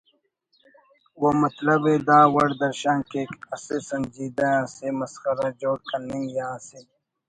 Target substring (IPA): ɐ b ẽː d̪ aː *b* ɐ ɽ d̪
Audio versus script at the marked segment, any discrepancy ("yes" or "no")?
yes